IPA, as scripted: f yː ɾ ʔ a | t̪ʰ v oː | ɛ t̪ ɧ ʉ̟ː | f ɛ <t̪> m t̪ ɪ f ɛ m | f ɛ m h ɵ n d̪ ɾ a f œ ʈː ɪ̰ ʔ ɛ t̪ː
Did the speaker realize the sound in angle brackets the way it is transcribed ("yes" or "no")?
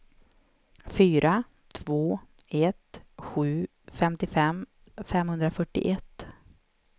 no